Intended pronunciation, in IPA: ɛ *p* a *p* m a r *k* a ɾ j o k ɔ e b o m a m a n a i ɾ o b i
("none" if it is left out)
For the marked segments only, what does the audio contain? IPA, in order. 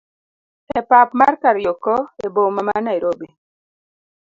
p, p, k

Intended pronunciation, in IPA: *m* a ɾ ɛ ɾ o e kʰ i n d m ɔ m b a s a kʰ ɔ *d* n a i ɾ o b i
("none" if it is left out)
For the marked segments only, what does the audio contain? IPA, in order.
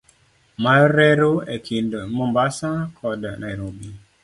m, d

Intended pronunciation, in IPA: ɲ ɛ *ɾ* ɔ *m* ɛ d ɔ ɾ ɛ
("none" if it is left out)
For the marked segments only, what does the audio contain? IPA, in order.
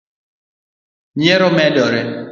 ɾ, m

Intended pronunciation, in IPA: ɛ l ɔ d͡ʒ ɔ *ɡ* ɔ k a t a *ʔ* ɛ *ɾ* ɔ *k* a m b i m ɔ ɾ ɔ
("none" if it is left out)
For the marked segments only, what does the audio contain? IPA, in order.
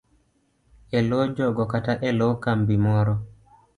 ɡ, ʔ, l, k

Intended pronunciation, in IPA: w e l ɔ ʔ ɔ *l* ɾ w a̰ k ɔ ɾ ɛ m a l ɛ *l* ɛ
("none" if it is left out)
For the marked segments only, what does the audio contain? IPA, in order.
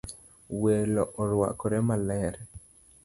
none, ɾ

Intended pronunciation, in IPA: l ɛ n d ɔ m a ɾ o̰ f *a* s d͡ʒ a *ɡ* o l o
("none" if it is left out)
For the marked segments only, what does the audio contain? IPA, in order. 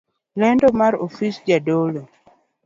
i, d

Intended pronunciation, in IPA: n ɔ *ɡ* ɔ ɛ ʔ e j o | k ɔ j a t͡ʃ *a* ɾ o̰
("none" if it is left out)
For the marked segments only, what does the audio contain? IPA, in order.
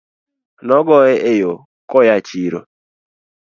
ɡ, i

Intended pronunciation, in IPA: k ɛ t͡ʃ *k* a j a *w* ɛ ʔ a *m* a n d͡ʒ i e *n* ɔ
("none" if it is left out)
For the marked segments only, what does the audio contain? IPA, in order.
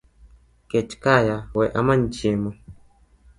k, w, m, m

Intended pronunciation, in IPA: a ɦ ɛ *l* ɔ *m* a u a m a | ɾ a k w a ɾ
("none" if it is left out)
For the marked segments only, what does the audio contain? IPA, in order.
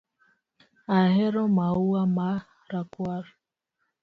ɾ, m

